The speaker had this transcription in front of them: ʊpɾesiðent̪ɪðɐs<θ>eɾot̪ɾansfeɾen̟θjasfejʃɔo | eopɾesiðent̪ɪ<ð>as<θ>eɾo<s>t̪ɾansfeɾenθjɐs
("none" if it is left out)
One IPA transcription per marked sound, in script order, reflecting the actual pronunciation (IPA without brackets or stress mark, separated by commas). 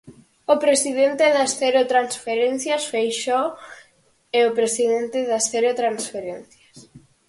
θ, ð, θ, none